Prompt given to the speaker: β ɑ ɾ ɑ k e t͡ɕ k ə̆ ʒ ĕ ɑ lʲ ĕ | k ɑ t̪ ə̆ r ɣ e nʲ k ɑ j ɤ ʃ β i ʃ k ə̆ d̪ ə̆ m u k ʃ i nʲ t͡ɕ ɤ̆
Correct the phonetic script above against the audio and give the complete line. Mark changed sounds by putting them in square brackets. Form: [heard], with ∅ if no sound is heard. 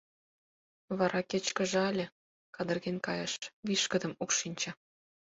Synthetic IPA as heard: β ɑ ɾ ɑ k e t͡ɕ k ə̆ ʒ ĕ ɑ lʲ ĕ | k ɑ [d̪] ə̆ r ɣ e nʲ k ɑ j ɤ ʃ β i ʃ k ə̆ d̪ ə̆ m u k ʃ i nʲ t͡ɕ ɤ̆